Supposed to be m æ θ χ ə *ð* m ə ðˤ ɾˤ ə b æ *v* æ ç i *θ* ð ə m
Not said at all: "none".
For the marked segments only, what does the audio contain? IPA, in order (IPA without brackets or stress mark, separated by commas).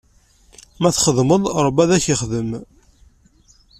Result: ð, ð, χ